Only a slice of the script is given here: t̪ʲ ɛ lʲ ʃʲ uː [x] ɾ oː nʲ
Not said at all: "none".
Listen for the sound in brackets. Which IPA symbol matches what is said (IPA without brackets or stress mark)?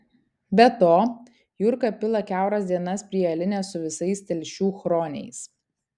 x